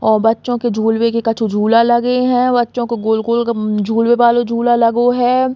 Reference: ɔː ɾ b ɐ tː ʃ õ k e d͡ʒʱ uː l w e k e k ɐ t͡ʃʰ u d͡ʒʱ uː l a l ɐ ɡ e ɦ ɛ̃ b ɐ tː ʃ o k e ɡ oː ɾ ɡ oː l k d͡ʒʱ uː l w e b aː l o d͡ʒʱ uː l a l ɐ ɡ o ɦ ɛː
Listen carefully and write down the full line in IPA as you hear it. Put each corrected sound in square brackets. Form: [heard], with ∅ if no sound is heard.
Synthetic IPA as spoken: ɔː ɾ b ɐ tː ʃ õ k e d͡ʒʱ uː l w e k e k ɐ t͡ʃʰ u d͡ʒʱ uː l a l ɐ ɡ e ɦ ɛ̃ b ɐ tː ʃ [õ] k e ɡ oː [l] ɡ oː l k d͡ʒʱ uː l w e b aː l o d͡ʒʱ uː l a l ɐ ɡ o ɦ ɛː